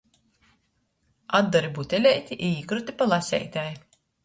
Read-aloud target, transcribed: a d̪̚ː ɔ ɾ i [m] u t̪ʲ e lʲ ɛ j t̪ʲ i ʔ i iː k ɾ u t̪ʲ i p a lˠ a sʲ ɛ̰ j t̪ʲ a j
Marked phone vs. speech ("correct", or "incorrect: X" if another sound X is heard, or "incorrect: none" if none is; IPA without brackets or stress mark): incorrect: b